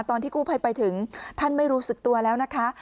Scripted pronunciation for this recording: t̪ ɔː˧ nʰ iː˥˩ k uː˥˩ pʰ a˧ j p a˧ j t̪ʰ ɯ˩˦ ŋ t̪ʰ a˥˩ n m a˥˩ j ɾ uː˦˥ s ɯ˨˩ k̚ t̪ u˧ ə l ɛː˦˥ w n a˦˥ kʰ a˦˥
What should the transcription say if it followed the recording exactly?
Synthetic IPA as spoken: t̪ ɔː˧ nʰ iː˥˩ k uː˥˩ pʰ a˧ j p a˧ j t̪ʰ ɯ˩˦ ŋ t̪ʰ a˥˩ n m a˥˩ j ɾ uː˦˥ s ɯ˨˩ k̚ t̪ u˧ ɐ l ɛː˦˥ w n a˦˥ kʰ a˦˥